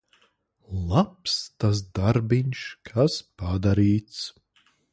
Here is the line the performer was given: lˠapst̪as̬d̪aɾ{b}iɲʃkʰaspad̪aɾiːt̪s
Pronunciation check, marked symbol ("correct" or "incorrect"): correct